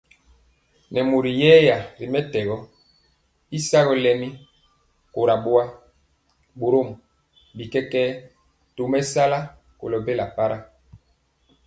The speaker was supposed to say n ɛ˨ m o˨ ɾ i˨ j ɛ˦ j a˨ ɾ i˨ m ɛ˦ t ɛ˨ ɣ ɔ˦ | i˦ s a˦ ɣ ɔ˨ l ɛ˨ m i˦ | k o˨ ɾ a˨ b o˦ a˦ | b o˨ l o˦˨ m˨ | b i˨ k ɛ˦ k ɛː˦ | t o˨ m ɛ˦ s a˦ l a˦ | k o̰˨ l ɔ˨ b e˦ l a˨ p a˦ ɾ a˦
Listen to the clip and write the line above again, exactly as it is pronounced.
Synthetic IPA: n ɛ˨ m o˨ ɾ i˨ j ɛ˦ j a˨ ɾ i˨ m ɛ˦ t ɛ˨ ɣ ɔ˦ | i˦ s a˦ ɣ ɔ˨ l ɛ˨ m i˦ | k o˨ ɾ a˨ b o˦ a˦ | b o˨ ɾ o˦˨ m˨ | b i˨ k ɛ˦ k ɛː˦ | t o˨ m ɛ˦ s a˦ l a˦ | k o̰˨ l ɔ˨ b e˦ l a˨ p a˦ ɾ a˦